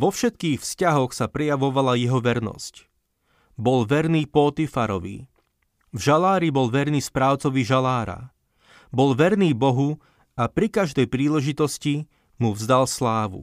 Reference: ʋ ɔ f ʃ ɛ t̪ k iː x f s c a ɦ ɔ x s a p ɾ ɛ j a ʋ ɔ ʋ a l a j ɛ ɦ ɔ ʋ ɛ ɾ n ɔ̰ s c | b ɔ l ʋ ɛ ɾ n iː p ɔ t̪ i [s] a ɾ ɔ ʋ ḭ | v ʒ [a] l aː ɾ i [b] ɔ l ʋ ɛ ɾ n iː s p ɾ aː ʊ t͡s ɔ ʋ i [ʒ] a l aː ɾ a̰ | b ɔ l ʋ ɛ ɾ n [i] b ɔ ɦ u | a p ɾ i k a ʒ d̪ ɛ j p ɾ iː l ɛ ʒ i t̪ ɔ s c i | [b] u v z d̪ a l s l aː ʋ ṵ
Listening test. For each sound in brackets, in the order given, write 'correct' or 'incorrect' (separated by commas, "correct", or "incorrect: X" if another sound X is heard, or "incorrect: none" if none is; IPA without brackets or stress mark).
incorrect: f, correct, correct, correct, incorrect: iː, incorrect: m